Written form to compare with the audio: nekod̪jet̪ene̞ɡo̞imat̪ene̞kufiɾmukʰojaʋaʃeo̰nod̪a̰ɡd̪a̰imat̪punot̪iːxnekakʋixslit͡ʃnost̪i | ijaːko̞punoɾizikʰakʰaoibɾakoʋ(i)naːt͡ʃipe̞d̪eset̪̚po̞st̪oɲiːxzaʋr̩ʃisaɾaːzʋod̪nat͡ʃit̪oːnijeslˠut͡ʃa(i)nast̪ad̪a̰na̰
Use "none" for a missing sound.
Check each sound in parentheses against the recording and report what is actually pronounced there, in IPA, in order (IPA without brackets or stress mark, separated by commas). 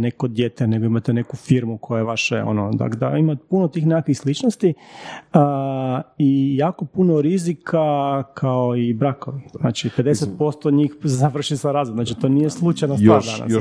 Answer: i, j